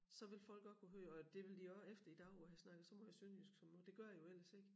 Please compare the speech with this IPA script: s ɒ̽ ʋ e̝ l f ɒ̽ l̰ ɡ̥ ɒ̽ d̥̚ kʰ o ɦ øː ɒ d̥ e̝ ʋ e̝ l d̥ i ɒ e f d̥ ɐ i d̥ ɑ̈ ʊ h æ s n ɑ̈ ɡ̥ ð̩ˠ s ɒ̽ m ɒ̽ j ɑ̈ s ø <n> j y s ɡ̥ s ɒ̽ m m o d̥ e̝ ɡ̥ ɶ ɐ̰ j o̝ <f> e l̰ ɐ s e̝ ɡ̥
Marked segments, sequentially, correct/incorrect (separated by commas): correct, incorrect